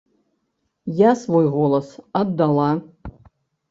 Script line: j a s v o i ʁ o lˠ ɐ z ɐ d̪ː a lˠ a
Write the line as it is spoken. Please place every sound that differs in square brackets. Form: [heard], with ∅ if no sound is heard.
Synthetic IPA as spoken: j a s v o [j] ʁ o lˠ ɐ [s] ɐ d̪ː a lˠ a